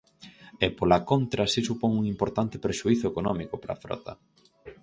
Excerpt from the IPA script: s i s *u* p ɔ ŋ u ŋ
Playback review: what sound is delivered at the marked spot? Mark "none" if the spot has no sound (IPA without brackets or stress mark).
u